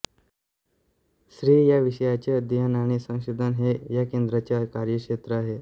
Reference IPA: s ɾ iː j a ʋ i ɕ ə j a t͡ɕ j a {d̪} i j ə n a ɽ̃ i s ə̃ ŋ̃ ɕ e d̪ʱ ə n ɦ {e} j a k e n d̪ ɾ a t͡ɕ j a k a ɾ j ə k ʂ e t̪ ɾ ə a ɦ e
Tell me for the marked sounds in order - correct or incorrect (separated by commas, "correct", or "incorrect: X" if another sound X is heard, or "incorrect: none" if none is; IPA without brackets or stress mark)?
correct, correct